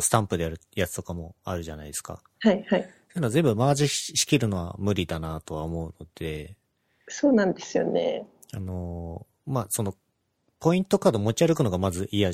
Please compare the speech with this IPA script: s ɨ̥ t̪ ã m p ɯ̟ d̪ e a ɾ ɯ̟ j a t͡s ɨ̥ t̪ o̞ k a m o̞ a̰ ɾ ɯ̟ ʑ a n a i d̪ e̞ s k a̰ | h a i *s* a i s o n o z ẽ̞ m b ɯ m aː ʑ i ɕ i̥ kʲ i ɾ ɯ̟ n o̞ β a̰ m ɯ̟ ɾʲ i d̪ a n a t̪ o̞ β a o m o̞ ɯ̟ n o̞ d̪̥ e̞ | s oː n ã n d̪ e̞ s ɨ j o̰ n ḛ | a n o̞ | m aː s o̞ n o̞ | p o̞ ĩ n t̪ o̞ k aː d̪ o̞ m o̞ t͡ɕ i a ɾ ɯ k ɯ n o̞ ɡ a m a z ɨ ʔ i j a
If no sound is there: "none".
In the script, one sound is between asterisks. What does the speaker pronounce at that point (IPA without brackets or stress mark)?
h